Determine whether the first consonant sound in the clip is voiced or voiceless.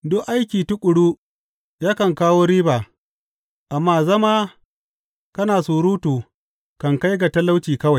voiced